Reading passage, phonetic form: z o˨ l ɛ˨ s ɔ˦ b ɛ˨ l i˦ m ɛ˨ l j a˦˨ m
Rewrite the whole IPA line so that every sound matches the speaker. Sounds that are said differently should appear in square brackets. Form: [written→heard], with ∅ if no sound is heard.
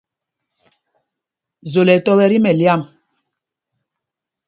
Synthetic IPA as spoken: z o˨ l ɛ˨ [s→t] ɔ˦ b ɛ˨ [l→ɾ] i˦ m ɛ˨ l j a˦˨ m